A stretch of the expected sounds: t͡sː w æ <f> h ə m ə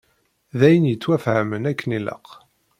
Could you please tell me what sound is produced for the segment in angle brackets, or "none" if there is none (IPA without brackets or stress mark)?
f